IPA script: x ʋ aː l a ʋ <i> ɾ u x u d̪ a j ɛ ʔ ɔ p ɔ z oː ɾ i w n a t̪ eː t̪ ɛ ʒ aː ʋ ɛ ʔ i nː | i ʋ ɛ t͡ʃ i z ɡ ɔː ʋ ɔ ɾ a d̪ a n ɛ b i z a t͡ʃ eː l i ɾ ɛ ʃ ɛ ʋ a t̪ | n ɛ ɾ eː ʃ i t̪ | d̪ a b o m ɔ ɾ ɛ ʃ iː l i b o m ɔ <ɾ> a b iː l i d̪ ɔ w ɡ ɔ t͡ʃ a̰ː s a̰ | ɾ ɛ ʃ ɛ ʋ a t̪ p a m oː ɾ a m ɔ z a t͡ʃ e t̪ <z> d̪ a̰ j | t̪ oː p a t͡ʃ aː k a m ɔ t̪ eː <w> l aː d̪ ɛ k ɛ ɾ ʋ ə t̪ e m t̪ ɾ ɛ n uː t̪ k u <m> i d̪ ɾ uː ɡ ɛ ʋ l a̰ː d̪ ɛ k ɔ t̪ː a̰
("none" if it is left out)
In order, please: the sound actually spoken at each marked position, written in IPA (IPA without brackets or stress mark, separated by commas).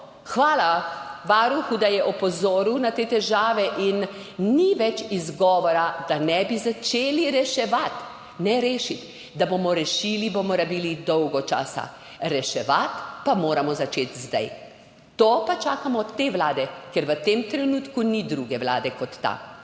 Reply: a, ɾ, z, ʋ, n